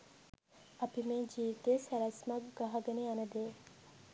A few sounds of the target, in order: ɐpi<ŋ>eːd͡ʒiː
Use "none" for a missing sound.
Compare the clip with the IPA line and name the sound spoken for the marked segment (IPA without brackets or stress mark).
m